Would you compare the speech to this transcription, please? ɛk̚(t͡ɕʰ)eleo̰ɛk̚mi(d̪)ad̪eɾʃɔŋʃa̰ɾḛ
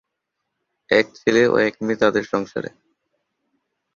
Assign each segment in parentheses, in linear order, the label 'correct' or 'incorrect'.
correct, incorrect: t̪

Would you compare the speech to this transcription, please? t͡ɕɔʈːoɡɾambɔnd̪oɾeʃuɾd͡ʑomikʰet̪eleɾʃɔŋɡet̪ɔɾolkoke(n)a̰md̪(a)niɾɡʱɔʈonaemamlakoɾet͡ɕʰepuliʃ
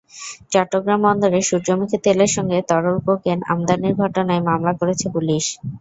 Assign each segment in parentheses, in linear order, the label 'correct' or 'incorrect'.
correct, correct

